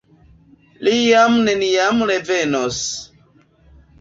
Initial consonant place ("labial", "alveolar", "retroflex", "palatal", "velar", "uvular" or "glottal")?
alveolar